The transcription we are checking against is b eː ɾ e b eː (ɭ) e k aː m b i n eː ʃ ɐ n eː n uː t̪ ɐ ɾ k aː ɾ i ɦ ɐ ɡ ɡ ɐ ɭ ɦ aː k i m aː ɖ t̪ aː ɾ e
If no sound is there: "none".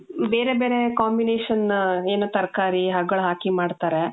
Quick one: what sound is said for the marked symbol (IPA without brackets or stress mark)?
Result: ɾ